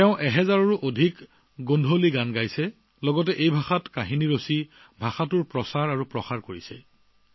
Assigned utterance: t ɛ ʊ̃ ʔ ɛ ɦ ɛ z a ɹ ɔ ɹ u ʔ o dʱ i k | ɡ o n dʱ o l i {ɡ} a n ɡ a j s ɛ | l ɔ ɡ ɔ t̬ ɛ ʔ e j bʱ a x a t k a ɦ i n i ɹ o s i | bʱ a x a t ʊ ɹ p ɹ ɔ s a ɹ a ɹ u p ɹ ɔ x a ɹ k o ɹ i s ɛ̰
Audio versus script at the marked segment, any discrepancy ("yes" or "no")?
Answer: no